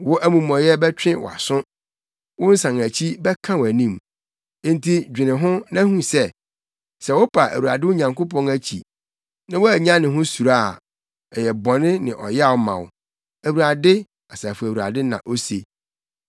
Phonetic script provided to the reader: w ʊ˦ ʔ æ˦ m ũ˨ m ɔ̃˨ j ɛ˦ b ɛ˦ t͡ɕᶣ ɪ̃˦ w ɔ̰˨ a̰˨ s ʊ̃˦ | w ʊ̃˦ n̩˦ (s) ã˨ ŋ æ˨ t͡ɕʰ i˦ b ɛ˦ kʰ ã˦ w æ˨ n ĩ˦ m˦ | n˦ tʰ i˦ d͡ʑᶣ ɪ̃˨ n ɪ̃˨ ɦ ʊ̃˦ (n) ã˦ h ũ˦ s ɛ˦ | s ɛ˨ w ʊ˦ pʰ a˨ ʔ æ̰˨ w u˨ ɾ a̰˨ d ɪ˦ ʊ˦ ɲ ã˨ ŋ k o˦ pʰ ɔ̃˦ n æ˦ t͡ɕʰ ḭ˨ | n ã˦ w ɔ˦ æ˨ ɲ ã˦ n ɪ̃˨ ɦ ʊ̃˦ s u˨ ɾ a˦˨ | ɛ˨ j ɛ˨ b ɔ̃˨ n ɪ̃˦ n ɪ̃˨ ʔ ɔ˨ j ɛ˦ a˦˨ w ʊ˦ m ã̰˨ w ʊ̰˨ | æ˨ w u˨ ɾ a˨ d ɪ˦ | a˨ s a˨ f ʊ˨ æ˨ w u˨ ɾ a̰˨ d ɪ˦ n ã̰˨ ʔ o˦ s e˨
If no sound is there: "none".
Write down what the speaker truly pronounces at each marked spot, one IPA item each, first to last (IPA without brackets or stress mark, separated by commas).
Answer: s, n